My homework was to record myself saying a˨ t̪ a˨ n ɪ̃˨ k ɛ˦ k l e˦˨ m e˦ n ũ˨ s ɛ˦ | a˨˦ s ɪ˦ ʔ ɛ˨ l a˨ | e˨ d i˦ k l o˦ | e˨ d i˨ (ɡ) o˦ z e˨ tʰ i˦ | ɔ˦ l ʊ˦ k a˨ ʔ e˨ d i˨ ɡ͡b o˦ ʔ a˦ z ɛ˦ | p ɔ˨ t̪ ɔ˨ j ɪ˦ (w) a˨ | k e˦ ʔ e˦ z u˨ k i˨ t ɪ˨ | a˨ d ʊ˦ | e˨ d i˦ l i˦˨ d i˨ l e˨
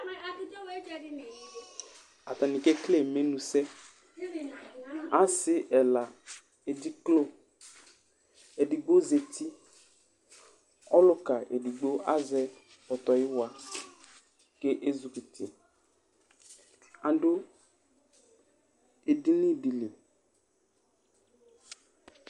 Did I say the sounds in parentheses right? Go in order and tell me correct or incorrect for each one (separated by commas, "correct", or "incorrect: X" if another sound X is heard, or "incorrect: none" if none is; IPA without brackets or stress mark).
incorrect: ɡ͡b, correct